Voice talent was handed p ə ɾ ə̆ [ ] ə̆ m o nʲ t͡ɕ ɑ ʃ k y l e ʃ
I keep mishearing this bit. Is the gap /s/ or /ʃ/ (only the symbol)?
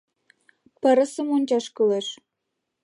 s